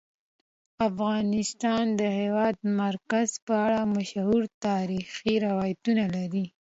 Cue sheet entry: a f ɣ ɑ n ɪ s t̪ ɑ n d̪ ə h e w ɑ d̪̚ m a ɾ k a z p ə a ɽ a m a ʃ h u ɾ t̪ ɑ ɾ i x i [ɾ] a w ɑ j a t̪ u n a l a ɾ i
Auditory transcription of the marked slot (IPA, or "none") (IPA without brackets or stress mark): ɾ